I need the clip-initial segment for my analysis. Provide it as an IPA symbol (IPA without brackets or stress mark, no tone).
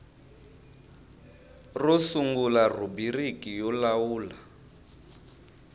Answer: r